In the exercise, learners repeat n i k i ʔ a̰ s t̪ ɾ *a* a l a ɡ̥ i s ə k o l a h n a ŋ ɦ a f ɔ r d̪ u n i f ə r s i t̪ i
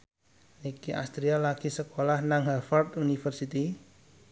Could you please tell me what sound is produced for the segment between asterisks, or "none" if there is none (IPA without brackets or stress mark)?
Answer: i